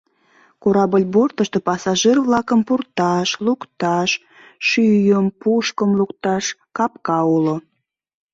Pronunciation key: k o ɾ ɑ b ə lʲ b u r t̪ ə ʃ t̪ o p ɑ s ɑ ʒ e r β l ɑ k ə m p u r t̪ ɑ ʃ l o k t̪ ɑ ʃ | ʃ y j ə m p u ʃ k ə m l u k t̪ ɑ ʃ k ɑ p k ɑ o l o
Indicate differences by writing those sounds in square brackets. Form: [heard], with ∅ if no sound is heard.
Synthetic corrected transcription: k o ɾ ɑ b ə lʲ b [o] r t̪ ə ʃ t̪ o p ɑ s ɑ ʒ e r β l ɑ k ə m p u r t̪ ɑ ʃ l [u] k t̪ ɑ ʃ | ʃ y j ə m p u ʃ k ə m l u k t̪ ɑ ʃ k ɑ p k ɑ [u] l o